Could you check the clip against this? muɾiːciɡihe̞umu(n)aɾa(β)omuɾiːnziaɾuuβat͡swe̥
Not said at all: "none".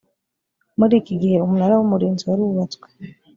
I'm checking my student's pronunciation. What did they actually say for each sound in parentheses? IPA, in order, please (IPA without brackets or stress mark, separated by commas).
n, w